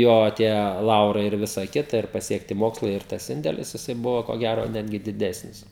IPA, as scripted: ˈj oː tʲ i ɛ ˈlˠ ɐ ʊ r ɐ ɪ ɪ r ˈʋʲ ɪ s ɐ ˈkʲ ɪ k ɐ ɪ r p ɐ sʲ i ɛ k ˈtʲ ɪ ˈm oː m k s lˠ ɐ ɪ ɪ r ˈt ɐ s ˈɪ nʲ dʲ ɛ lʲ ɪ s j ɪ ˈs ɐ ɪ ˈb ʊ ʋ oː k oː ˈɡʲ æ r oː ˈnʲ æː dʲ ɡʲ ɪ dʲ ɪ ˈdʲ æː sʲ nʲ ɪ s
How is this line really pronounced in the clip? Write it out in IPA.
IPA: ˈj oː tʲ i ɛ ˈlˠ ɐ ʊ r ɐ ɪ ɪ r ˈʋʲ ɪ s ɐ ˈkʲ ɪ t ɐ ɪ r p ɐ sʲ i ɛ k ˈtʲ ɪ ˈm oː k s lˠ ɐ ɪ ɪ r ˈt ɐ s ˈɪ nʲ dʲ ɛ lʲ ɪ s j ɪ ˈs ɐ ɪ ˈb ʊ ʋ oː k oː ˈɡʲ æ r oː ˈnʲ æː dʲ ɡʲ ɪ dʲ ɪ ˈdʲ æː sʲ nʲ ɪ s